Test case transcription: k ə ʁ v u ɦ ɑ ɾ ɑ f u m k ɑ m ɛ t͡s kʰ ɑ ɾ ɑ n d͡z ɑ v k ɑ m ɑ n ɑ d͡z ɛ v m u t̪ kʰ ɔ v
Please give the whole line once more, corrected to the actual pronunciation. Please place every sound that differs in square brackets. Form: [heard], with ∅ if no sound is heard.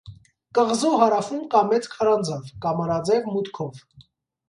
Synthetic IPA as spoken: k ə ʁ [z] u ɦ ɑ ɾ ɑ f u m k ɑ m ɛ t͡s kʰ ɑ ɾ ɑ n d͡z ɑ v k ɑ m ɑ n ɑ d͡z ɛ v m u t̪ kʰ ɔ v

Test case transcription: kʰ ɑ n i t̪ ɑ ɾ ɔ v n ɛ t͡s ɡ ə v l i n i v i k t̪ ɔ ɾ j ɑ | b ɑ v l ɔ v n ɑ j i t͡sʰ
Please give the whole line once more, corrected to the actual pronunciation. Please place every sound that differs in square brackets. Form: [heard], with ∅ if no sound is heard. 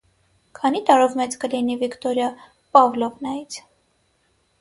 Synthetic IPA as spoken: kʰ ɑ n i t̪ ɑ ɾ ɔ v [m] ɛ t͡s [k] ə [∅] l i n i v i k t̪ ɔ ɾ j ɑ | [p] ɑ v l ɔ v n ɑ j i t͡sʰ

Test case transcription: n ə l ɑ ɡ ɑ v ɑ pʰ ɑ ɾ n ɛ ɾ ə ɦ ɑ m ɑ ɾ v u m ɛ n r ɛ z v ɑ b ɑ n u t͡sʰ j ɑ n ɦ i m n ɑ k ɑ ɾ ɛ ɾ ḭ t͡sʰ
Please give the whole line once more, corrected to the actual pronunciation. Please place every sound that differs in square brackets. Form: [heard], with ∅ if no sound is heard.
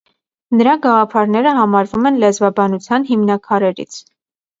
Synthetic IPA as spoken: n ə [ɾ] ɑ ɡ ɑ [ʁ] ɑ pʰ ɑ ɾ n ɛ ɾ ə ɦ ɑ m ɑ ɾ v u m ɛ n [l] ɛ z v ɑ b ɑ n u t͡sʰ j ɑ n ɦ i m n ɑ [kʰ] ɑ ɾ ɛ ɾ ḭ t͡sʰ

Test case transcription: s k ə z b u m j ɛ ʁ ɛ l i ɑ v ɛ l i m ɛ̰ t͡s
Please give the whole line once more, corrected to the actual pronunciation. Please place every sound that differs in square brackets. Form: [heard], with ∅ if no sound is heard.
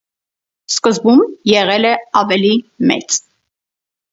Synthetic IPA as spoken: s k ə z b u m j ɛ ʁ ɛ l [ɛ] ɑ v ɛ l i m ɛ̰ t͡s

